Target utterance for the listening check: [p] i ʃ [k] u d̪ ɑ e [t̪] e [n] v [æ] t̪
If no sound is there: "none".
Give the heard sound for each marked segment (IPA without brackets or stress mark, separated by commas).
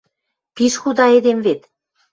p, x, d̪, m, e